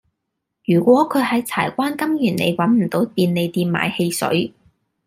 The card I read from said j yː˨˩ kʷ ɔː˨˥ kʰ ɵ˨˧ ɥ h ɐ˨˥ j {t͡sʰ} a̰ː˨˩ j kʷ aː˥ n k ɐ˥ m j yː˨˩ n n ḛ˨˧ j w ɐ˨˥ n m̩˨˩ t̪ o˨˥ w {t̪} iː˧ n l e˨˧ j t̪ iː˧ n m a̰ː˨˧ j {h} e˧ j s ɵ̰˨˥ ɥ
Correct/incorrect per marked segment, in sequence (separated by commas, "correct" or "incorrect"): correct, correct, correct